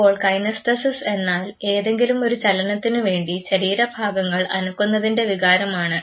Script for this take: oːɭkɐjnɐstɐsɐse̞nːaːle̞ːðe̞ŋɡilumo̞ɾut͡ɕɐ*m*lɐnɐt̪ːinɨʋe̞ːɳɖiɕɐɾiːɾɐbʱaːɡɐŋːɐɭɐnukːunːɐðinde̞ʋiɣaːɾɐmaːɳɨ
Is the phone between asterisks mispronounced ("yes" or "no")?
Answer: yes